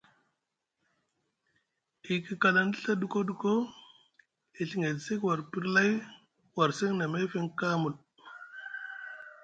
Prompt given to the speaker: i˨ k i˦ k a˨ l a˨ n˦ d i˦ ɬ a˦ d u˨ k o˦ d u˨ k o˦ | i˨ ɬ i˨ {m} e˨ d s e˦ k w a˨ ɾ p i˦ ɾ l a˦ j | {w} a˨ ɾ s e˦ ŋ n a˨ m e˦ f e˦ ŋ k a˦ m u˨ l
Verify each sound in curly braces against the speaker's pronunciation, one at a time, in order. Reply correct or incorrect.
incorrect, correct

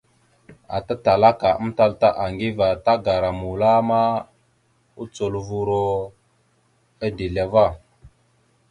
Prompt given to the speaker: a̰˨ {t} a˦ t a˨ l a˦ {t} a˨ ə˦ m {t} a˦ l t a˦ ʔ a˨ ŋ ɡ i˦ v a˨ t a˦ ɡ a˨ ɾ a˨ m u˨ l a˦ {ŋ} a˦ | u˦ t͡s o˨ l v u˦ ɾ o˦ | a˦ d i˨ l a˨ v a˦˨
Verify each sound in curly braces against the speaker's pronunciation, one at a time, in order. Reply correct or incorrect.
correct, incorrect, correct, incorrect

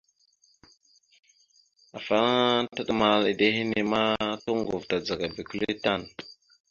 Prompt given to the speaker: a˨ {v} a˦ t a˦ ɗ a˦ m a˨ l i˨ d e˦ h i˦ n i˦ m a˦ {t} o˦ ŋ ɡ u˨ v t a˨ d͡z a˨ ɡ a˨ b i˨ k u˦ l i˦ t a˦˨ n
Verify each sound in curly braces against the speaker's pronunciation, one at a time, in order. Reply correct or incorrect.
incorrect, correct

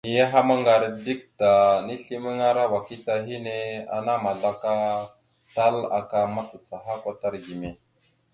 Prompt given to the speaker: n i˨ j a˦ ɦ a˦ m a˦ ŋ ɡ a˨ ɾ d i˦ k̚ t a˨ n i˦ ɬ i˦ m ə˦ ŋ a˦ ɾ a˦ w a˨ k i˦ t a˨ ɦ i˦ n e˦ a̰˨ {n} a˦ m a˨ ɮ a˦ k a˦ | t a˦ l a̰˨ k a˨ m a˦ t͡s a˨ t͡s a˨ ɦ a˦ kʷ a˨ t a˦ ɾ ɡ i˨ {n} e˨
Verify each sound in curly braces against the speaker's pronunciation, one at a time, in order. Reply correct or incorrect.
correct, incorrect

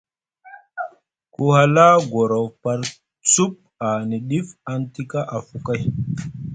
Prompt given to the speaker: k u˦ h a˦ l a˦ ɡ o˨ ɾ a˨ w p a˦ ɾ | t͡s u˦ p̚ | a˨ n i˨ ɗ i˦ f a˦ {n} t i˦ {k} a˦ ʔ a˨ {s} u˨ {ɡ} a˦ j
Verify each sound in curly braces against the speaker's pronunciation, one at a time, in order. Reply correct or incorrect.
correct, correct, incorrect, incorrect

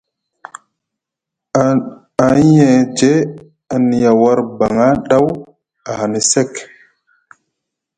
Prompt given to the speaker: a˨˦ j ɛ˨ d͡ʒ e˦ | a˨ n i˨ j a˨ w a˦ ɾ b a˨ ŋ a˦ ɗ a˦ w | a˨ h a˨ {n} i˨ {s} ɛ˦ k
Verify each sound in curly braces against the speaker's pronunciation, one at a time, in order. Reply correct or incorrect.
correct, correct

